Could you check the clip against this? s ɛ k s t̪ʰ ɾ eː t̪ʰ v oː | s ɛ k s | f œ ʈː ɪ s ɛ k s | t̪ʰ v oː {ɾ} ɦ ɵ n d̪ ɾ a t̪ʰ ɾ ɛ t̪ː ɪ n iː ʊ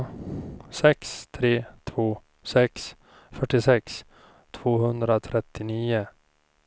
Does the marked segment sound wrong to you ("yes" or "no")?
yes